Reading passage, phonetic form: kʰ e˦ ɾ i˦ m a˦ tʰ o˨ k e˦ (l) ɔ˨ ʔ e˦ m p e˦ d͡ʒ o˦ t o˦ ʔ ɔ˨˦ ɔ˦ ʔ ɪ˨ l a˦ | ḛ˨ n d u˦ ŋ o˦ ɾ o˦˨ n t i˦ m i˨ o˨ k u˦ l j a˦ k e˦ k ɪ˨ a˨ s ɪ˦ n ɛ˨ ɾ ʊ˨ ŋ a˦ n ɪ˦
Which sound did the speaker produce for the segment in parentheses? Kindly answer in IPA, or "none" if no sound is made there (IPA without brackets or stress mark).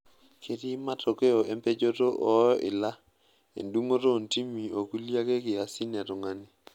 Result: none